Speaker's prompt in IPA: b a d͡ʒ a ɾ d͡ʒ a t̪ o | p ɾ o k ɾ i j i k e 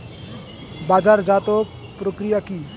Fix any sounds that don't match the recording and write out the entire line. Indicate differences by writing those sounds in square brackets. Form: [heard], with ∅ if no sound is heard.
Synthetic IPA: b a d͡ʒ a ɾ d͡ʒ a t̪ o | p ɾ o k ɾ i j [a] k [i]